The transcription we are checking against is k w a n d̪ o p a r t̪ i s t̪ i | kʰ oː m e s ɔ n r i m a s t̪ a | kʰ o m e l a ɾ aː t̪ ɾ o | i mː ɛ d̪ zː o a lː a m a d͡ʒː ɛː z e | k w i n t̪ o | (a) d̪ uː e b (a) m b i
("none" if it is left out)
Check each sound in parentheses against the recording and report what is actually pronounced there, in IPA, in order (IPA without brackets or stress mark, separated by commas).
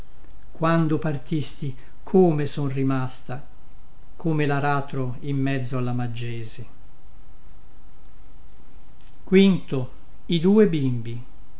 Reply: i, i